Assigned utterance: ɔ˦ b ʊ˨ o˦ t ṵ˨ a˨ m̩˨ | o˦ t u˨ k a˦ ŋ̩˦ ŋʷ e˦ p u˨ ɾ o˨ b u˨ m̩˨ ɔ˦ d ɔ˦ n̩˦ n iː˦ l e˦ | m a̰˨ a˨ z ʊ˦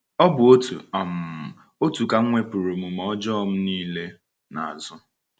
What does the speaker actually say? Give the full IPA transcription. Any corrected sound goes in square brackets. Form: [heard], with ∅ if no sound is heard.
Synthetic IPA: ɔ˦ b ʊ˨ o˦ t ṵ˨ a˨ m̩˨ | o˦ t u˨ k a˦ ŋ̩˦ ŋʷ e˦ p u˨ ɾ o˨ [m] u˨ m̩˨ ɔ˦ [d͡ʒ] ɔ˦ [m̩˦] n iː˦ l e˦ | [n] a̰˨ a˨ z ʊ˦